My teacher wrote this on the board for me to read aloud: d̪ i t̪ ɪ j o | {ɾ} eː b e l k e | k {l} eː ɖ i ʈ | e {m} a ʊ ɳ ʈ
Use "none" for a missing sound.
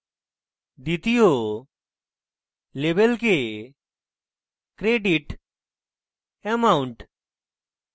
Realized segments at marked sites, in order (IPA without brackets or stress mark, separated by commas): l, ɾ, m